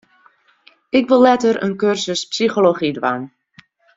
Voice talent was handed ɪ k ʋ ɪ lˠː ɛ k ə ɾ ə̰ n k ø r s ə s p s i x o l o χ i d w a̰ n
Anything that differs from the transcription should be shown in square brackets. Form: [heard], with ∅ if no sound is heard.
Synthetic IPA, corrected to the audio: ɪ k ʋ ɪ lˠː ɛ [t] ə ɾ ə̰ n k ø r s ə s p s i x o l o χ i d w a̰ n